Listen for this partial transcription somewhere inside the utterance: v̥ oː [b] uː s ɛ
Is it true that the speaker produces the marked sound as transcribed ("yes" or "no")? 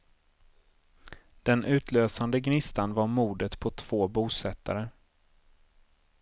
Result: yes